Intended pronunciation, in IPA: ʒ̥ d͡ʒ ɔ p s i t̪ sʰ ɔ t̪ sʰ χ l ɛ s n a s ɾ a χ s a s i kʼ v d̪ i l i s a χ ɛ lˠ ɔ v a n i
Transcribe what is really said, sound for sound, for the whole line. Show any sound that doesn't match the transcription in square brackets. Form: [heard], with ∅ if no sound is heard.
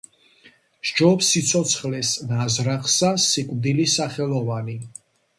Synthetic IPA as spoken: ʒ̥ d͡ʒ ɔ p s i t̪ sʰ ɔ t̪ sʰ χ l ɛ s n a [z] ɾ a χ s a s i kʼ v d̪ i l i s a χ ɛ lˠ ɔ v a n i